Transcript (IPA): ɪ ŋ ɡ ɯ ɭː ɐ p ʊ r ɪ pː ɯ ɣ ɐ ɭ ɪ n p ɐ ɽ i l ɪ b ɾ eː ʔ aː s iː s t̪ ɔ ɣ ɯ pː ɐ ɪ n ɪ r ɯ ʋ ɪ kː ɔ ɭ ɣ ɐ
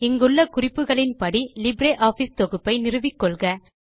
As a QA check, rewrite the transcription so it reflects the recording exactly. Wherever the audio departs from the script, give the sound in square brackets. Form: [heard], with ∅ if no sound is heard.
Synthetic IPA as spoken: ɪ ŋ ɡ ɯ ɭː ɐ [k] ʊ r ɪ pː ɯ ɣ ɐ ɭ ɪ n p ɐ ɽ i l ɪ b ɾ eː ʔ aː [f] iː s t̪ ɔ ɣ ɯ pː ɐ ɪ n ɪ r ɯ ʋ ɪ kː ɔ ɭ ɣ ɐ